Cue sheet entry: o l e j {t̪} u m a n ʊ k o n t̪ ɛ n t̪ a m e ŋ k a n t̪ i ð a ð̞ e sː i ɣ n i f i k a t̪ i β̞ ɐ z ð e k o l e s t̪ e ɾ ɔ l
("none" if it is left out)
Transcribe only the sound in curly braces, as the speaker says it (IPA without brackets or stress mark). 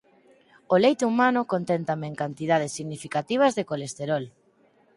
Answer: t̪